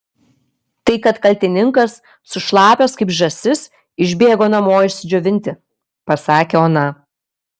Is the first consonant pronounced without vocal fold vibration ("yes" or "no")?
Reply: yes